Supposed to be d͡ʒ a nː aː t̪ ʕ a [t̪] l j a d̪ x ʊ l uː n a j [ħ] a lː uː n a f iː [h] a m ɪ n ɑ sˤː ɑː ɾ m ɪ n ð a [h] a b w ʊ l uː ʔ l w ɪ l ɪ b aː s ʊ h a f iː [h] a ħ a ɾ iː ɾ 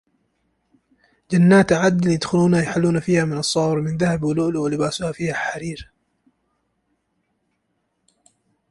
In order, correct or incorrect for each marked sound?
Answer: incorrect, correct, correct, correct, correct

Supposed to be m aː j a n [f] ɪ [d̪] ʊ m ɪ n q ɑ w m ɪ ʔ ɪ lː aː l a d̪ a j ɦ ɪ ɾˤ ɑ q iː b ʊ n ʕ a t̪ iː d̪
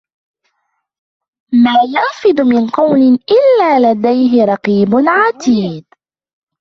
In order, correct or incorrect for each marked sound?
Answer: correct, correct

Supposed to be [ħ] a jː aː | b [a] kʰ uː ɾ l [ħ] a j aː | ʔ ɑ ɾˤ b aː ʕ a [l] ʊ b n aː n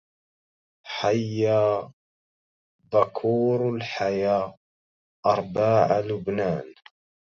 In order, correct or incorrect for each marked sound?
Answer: correct, correct, correct, correct

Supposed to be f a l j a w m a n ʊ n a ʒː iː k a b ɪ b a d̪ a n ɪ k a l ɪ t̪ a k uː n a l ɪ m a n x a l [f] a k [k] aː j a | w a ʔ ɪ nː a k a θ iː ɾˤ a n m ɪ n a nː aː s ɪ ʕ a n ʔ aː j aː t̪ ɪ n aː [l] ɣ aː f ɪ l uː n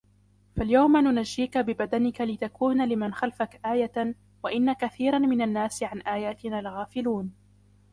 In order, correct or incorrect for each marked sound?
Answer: correct, incorrect, correct

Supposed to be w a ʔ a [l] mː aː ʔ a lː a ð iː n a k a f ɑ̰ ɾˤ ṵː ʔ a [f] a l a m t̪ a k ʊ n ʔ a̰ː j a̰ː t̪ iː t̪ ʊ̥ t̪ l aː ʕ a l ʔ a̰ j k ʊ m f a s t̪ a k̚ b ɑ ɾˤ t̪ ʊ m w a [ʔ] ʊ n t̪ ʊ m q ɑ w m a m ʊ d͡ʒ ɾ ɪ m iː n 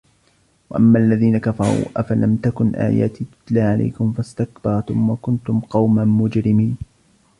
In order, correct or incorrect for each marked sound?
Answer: incorrect, correct, incorrect

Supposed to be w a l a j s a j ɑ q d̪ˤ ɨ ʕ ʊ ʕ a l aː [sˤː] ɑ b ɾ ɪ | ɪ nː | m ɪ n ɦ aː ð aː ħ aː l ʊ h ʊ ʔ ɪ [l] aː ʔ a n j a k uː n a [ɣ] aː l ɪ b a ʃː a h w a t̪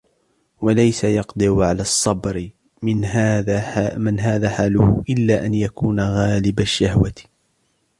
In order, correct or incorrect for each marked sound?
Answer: correct, incorrect, correct

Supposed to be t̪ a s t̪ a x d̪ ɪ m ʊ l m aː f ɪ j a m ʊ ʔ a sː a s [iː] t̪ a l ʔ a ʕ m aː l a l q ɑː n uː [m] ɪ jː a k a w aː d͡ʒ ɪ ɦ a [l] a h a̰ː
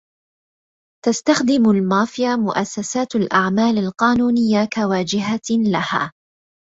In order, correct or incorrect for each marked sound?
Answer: incorrect, incorrect, correct

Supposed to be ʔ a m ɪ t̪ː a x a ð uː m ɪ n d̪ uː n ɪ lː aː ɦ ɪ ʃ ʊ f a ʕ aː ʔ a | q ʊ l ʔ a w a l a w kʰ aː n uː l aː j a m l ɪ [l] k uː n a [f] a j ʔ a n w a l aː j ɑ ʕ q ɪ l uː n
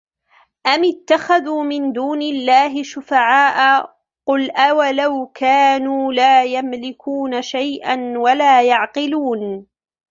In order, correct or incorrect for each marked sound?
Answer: incorrect, incorrect

